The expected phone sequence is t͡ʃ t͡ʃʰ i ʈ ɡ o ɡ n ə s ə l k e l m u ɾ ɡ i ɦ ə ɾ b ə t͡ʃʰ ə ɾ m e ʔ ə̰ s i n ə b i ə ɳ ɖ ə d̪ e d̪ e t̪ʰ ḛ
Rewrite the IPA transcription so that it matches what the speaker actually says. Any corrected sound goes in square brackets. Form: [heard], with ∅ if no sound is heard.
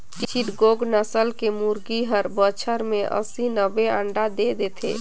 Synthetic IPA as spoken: t͡ʃ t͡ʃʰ i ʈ ɡ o ɡ n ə s ə l k e [∅] m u ɾ ɡ i ɦ ə ɾ b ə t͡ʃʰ ə ɾ m e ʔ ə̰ s i n ə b [e] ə ɳ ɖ [a] d̪ e d̪ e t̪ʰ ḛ